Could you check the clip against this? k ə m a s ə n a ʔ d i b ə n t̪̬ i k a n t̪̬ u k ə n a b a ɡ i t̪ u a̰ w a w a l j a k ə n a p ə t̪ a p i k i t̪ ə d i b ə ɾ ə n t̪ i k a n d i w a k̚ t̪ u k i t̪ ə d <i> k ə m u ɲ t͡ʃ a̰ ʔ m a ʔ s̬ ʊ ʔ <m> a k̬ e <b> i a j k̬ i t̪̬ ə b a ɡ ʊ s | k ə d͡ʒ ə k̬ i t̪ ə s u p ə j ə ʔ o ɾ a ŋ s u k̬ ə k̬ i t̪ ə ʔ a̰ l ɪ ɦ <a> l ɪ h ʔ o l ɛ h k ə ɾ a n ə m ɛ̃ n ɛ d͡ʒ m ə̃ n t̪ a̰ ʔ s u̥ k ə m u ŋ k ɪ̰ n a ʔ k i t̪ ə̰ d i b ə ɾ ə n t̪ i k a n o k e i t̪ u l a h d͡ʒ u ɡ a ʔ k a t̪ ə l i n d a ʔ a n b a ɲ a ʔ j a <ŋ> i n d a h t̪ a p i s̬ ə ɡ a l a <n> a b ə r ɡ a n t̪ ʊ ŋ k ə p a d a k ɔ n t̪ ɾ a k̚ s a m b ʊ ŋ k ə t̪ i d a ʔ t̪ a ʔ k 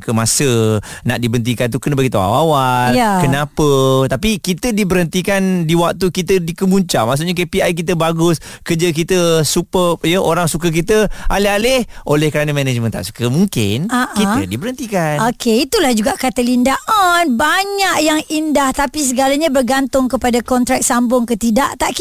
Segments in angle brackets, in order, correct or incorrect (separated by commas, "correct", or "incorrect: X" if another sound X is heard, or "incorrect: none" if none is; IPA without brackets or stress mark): correct, incorrect: ɲ, incorrect: p, correct, correct, incorrect: ɲ